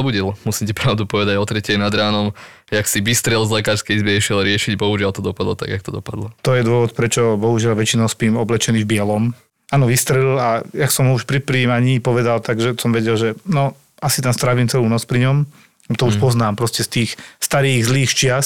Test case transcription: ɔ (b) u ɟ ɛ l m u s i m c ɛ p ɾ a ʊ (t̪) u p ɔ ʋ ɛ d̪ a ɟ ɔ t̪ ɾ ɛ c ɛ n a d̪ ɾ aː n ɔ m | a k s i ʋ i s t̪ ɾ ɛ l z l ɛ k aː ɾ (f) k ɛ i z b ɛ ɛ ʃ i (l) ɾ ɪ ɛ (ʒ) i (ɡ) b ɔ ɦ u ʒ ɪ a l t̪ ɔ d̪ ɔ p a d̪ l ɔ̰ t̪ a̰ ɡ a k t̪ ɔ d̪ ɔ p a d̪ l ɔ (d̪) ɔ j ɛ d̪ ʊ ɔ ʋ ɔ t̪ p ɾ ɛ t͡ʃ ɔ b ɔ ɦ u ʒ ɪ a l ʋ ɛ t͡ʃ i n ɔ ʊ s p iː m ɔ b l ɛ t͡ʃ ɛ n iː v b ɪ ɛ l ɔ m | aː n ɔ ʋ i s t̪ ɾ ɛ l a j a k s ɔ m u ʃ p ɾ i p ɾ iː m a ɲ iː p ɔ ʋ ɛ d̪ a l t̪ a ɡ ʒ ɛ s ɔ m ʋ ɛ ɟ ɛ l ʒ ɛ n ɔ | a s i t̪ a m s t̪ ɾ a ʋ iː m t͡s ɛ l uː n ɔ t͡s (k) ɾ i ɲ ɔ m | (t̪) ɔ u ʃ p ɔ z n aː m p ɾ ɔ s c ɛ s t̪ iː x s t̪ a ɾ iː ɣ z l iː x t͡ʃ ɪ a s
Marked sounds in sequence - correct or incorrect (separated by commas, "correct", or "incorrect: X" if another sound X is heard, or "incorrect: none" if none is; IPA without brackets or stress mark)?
correct, incorrect: d̪, incorrect: s, correct, incorrect: ʃ, incorrect: ɟ, incorrect: t̪, incorrect: p, correct